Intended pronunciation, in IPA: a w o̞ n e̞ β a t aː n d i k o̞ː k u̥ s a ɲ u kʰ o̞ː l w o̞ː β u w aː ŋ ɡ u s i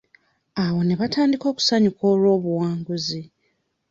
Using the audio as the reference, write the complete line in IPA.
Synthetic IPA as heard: a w o̞ n e̞ β a t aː n d i k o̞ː k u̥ s a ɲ u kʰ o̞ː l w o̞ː β u w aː ŋ ɡ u z i